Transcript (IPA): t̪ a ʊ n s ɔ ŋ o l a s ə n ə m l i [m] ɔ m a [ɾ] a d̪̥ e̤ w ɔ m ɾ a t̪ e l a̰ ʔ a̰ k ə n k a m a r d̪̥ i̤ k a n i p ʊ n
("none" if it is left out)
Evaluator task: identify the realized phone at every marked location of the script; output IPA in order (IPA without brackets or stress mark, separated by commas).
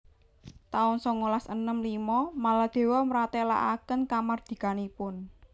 m, l